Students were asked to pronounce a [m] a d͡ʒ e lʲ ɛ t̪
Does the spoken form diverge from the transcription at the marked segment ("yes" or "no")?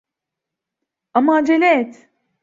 no